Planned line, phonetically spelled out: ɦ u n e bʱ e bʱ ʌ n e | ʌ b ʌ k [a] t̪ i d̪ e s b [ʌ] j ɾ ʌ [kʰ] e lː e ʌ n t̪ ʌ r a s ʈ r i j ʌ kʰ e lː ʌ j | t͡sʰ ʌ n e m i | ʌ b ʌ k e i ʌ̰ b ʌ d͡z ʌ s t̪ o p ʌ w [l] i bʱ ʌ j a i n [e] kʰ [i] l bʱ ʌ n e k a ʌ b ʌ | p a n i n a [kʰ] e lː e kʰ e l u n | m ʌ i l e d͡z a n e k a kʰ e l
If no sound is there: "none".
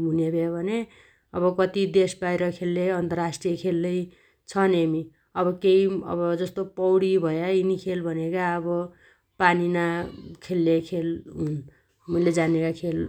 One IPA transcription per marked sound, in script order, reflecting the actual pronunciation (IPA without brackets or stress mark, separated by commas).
ʌ, a, kʰ, ɽ, i, e, kʰ